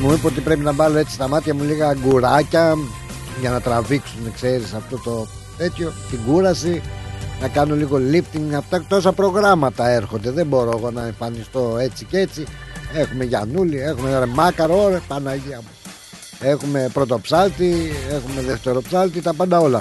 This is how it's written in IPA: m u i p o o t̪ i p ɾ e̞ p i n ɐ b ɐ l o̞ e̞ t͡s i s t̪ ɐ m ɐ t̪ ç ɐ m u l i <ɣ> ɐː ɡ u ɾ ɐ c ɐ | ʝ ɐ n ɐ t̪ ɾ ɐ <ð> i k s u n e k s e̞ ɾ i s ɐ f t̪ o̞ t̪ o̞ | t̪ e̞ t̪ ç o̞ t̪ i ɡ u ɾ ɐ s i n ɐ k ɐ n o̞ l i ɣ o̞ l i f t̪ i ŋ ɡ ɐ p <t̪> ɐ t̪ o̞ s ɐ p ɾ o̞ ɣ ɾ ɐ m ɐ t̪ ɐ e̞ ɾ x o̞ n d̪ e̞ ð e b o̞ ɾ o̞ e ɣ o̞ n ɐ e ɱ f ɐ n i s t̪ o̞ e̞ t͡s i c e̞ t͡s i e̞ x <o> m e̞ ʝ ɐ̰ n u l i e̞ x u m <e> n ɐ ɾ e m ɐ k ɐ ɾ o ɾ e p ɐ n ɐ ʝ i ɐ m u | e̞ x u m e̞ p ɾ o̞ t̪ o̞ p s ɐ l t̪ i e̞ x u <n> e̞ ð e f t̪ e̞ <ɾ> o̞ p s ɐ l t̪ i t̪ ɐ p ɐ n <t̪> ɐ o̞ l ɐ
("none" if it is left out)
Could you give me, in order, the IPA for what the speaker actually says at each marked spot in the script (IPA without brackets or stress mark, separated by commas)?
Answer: ɣ, v, t̪, u, e, m, ɾ, d̪